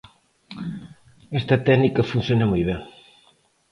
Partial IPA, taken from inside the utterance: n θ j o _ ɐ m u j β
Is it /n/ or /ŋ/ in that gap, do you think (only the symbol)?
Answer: n